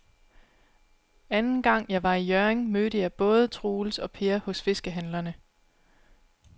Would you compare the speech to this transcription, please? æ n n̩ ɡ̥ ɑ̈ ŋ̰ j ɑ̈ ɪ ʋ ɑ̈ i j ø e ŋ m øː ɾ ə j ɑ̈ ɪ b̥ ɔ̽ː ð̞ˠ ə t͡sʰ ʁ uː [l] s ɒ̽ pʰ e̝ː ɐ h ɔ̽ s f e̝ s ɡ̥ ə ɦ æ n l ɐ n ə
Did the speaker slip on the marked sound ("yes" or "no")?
no